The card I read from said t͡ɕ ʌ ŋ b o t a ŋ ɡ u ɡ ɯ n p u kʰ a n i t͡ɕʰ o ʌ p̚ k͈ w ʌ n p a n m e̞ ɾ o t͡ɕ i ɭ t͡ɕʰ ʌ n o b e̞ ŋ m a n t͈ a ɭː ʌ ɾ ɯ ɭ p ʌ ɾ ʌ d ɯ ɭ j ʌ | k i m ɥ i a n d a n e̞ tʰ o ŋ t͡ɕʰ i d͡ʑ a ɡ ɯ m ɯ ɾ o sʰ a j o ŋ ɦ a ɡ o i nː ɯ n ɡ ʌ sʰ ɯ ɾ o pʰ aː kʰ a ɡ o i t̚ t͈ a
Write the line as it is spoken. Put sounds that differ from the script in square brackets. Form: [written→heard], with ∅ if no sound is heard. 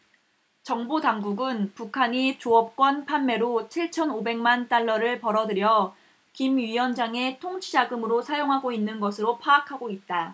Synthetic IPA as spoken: t͡ɕ ʌ ŋ b o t a ŋ ɡ u ɡ ɯ n p u kʰ a [n→ɲ] i [t͡ɕʰ→t͡ɕ] o ʌ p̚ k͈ w ʌ n [p→pʰ] a n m e̞ ɾ o [t͡ɕ→t͡ɕʰ] i ɭ t͡ɕʰ ʌ n o b e̞ ŋ m a n t͈ a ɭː ʌ ɾ ɯ ɭ p ʌ ɾ ʌ d ɯ [ɭ→ɾ] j ʌ | k i m ɥ i [a→ʌ] n [d→d͡ʑ] a [n→ŋ] e̞ tʰ o ŋ t͡ɕʰ i d͡ʑ a ɡ ɯ m ɯ ɾ o sʰ a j o ŋ ɦ a ɡ o i nː ɯ n ɡ ʌ sʰ ɯ ɾ o pʰ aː kʰ a ɡ o i t̚ t͈ a